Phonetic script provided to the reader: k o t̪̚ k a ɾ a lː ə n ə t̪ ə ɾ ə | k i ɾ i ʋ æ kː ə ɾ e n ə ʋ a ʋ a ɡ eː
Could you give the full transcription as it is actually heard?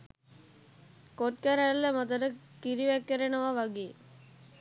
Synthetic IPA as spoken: k o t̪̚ k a ɾ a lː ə m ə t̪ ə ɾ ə | k i ɾ i ʋ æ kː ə ɾ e n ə ʋ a ʋ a ɡ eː